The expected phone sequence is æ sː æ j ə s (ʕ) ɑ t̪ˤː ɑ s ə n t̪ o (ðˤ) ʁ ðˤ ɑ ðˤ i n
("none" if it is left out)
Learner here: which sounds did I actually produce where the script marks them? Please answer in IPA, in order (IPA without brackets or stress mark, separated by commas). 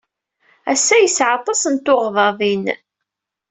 ʕ, none